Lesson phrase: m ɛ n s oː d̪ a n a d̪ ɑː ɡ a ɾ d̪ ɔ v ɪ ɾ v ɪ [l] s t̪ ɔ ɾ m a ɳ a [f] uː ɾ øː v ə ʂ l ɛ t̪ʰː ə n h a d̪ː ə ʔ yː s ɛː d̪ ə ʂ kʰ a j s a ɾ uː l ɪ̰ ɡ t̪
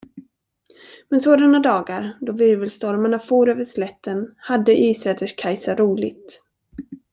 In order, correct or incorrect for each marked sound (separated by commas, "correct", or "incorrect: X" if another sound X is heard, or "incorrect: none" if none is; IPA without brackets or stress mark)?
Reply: correct, correct